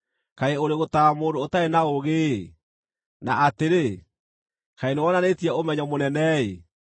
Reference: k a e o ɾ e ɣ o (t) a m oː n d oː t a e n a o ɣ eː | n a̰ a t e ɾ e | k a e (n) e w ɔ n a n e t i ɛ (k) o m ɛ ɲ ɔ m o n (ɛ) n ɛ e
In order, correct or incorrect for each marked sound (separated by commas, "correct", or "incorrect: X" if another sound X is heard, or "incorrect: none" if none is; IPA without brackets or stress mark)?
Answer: correct, correct, incorrect: none, correct